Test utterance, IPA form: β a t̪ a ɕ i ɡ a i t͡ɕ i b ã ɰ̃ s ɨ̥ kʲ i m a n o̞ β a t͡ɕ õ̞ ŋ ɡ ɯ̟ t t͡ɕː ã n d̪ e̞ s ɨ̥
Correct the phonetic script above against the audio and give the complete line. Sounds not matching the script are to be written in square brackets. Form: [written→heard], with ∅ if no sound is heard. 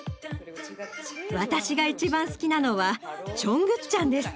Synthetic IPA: β a t̪ a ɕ i ɡ a i t͡ɕ i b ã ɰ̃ s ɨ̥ kʲ i [m→n] a n o̞ β a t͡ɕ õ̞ ŋ ɡ ɯ̟ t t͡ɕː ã n d̪ e̞ s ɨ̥